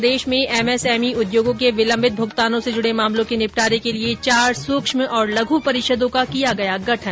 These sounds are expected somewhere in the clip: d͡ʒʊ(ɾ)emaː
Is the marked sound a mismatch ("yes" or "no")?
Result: yes